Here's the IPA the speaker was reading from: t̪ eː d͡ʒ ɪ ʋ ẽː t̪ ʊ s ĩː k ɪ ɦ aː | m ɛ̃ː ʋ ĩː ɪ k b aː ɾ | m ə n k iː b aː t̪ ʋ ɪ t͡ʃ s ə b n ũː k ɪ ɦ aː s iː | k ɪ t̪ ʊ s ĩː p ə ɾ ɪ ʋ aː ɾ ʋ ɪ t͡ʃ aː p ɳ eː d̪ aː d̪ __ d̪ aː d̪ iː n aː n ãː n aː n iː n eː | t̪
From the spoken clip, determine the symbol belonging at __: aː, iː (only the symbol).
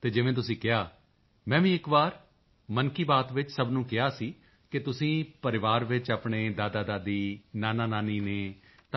aː